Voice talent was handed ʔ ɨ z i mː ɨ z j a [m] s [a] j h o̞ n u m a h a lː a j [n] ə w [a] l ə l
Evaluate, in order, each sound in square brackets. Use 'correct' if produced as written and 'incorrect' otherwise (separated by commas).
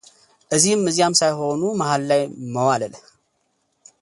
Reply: correct, correct, incorrect, correct